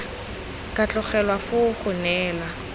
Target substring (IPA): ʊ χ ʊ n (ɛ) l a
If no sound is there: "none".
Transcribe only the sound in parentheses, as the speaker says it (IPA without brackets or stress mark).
ɛː